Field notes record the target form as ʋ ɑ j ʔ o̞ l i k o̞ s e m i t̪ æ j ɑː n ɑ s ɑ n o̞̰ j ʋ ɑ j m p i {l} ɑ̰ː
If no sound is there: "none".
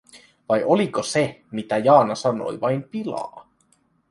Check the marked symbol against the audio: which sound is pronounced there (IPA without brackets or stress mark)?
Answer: l